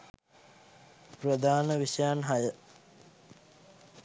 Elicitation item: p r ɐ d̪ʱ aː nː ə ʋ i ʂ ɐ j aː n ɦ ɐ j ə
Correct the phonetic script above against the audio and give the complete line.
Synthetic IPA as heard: p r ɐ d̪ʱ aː n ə ʋ i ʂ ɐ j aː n ɦ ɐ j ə

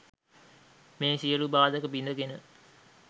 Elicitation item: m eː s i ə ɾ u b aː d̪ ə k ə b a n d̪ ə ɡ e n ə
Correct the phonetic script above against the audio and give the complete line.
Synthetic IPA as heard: m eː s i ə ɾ u b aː d̪ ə k ə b i n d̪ ə ɡ e n ə

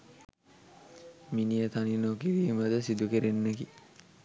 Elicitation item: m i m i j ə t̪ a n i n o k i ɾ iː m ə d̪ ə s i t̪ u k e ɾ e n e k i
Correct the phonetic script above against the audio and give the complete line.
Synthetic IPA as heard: m i n i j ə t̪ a n i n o k i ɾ iː m ə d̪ ə s i d̪ u k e ɾ e nː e k i

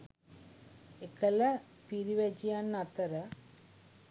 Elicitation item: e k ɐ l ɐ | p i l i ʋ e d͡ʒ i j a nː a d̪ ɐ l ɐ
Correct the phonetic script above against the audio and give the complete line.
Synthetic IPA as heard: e k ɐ l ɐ | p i ɾ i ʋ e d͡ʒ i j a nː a t̪ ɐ ɾ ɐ

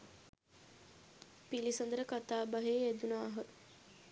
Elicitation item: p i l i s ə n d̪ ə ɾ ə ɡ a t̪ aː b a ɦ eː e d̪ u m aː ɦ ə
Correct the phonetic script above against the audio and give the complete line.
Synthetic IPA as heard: p i l i s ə n d̪ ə ɾ ə k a t̪ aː b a ɦ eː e d̪ u n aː ɦ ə

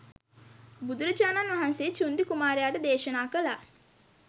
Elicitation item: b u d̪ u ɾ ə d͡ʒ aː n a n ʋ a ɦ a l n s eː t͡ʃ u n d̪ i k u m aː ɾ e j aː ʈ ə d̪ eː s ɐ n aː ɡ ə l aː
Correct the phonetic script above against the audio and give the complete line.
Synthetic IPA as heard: b u d̪ u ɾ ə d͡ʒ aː n a n ʋ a ɦ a n s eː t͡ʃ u n d̪ i k u m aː ɾ e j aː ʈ ə d̪ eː ʃ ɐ n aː k ə l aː

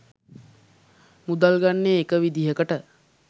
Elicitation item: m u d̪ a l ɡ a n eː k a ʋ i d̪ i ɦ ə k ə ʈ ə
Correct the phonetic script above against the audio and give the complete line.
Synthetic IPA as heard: m u d̪ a l ɡ a nː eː k ə ʋ i d̪ i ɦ ə k ə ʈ ə

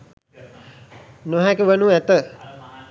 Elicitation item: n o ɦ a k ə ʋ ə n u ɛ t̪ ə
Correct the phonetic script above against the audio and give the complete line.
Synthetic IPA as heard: n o ɦ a k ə ʋ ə n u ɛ t̪ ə

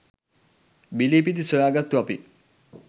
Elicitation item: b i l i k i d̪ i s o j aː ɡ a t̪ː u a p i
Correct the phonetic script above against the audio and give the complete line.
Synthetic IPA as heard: b i l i p i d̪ i s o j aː ɡ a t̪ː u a p i

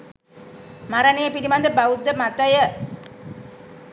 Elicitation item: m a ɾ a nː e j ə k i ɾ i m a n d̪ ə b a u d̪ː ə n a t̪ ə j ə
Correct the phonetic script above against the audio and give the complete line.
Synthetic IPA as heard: m a ɾ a n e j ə p i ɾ i m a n d̪ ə b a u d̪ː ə m a t̪ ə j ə

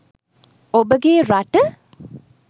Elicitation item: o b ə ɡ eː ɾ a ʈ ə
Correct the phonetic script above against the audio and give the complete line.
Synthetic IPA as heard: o b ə ɡ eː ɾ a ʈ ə

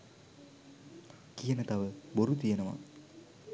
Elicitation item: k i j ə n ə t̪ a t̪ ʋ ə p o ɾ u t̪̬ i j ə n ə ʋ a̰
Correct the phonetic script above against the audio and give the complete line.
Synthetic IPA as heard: k i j ə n ə t̪ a ʋ ə b o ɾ u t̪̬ i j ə n ə ʋ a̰

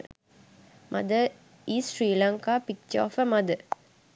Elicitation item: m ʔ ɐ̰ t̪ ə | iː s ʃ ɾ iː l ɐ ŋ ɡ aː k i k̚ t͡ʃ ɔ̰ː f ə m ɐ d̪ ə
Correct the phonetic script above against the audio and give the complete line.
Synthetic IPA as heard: m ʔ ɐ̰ d̪ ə | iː s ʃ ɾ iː l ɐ ŋ k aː p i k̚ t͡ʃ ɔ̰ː f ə m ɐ d̪ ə

